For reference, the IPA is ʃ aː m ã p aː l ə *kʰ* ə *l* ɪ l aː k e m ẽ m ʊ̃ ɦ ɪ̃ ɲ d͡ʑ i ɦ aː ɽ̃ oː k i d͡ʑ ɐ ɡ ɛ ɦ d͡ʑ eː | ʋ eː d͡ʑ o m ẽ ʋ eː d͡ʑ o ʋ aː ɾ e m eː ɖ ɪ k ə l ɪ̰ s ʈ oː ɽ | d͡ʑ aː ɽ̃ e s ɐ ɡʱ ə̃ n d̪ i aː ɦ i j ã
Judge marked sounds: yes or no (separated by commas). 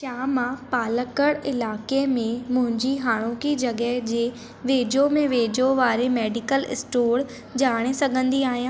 no, no